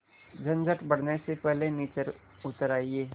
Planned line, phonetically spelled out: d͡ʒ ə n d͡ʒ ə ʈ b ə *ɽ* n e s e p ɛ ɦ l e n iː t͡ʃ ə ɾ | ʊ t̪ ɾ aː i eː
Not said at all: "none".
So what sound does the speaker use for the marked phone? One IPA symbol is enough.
ɽ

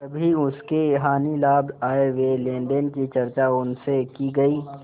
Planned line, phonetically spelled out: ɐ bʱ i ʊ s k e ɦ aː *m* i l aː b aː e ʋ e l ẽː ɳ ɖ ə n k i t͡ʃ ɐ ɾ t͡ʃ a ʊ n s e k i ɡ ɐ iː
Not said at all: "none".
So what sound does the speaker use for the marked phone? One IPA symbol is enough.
n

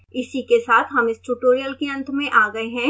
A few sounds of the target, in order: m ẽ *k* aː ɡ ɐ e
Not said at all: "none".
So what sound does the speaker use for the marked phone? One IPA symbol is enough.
ʔ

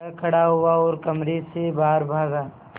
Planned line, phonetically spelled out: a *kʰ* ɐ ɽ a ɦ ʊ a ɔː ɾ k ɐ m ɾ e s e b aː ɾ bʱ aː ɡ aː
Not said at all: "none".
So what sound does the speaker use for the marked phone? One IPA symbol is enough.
kʰ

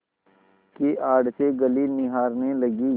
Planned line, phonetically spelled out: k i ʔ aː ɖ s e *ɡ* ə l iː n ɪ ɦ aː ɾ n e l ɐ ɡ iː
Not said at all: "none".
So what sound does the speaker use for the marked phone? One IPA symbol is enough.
ɡ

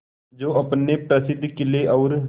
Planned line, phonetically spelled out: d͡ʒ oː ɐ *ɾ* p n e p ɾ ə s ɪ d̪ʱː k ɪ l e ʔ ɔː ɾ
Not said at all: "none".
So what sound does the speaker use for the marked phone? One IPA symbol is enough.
none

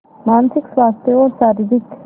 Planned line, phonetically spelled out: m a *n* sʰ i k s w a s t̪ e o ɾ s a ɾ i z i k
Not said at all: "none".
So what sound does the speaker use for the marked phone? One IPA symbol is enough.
n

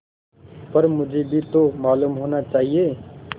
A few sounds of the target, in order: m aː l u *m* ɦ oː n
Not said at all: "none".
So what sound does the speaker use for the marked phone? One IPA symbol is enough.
m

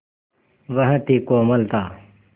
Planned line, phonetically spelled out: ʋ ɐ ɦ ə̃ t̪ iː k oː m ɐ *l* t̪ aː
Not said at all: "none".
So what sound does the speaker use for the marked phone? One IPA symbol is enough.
l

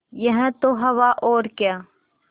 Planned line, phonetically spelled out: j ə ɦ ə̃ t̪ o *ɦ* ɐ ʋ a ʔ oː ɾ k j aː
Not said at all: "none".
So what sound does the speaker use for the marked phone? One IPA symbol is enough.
ɦ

